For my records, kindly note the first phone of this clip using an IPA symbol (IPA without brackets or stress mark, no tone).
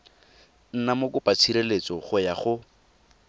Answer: n̩